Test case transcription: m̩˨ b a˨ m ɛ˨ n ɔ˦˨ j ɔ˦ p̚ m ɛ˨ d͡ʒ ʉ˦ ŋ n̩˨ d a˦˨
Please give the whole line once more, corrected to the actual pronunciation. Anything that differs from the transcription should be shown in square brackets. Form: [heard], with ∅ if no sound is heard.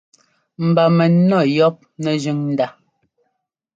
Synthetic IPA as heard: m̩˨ b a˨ m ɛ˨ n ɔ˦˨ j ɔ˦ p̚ [n] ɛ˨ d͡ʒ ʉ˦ ŋ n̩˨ d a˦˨